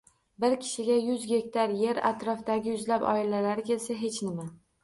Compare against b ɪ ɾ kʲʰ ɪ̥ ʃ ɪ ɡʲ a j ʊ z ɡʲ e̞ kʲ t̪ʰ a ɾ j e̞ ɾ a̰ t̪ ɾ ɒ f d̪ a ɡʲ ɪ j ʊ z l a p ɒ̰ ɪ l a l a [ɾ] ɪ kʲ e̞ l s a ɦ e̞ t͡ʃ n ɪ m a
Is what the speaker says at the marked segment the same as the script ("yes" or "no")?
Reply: yes